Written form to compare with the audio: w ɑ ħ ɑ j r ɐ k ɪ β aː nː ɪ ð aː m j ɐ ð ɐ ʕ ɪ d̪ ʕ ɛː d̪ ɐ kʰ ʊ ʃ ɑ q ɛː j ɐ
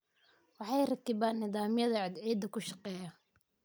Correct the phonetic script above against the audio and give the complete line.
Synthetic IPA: w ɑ ħ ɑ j r ɐ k ɪ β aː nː ɪ ð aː m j ɐ ð ɐ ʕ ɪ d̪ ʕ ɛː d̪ ɐ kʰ ʊ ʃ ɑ q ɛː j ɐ